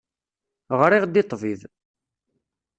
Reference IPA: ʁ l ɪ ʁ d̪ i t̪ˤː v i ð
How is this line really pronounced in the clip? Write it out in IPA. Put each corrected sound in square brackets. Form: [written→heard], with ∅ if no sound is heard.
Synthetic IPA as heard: ʁ [l→ɾ] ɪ ʁ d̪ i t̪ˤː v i ð